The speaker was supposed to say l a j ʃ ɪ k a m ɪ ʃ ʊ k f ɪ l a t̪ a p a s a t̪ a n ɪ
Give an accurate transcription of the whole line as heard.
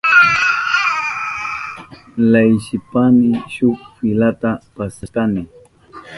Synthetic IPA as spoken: l a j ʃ ɪ p a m ɪ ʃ ʊ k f ɪ l a t̪ a p a s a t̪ a n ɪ

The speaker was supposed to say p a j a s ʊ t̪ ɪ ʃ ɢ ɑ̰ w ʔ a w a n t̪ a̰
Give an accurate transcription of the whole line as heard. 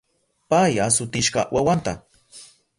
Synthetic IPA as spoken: p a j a s ʊ t̪ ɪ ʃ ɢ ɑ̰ w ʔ a w a n t̪ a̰

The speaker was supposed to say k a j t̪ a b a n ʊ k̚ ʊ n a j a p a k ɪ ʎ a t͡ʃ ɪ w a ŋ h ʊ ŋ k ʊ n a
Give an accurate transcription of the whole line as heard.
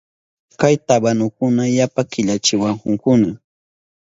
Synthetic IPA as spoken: k a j t̪ a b a n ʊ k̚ ʊ n a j a p a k ɪ ʎ a t͡ʃ ɪ w a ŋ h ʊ ŋ k ʊ n a

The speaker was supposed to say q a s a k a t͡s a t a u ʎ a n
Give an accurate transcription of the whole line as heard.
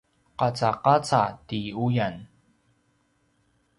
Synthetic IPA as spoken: q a t͡s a q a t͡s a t i u j a n

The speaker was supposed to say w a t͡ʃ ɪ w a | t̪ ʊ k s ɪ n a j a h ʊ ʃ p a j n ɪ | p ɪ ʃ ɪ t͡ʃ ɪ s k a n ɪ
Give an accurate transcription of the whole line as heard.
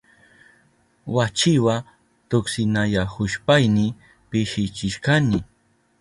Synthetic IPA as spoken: w a t͡ʃ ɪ w a | t̪ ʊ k s ɪ n a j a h ʊ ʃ p a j n ɪ | p ɪ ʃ ɪ t͡ʃ ɪ ʃ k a n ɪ

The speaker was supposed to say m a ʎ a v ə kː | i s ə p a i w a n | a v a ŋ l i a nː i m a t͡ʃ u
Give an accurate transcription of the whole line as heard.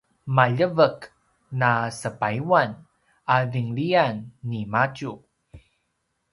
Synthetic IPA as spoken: m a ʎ ə v ə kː | a s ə p a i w a n | a v i ŋ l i a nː i m a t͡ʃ u

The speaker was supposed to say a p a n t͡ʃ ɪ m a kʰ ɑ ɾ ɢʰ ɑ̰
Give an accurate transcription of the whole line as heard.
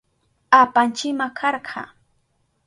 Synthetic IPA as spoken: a p a n t͡ʃ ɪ m a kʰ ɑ ɾ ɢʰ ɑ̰

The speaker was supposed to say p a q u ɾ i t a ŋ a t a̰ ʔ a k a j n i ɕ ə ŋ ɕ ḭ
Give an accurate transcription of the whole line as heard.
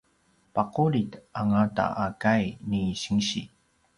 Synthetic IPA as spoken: p a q u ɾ i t a ŋ a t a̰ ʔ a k a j n i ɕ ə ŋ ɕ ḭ

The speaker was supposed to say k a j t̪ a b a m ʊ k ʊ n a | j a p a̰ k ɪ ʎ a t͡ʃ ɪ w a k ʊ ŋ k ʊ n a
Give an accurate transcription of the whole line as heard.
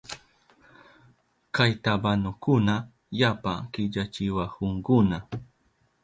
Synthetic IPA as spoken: k a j t̪ a b a n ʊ k ʊ n a | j a p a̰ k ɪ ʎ a t͡ʃ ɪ w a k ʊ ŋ k ʊ n a

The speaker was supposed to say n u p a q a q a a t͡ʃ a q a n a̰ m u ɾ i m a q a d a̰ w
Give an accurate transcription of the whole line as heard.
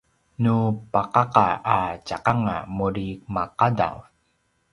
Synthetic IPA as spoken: n u p a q a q a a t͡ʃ a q a ŋ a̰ m u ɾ i m a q a d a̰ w

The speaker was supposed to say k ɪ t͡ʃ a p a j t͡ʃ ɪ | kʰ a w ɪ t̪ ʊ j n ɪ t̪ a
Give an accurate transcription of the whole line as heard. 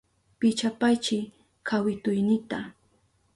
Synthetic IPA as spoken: p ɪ t͡ʃ a p a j t͡ʃ ɪ | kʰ a w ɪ t̪ ʊ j n ɪ t̪ a

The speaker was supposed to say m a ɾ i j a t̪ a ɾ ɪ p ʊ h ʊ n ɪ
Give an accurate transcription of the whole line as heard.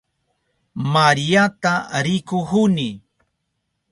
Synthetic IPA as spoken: m a ɾ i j a t̪ a ɾ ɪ k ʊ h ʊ n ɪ

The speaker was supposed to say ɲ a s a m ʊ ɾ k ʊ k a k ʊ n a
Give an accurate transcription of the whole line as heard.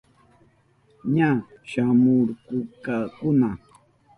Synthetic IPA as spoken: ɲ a ʃ a m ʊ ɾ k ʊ k a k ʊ n a

